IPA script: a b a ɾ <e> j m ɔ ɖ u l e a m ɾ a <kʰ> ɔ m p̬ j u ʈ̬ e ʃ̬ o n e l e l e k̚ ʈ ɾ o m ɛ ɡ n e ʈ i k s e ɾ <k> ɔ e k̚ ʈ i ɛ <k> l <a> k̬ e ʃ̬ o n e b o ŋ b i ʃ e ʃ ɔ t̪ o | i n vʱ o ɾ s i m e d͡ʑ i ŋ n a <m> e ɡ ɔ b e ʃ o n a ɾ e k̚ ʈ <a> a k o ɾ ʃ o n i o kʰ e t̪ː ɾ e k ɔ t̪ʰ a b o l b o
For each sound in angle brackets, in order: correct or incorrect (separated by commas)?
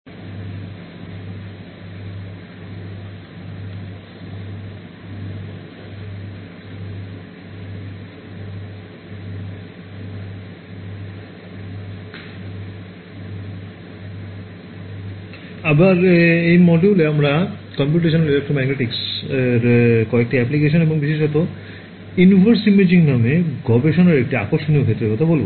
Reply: correct, incorrect, correct, incorrect, incorrect, correct, incorrect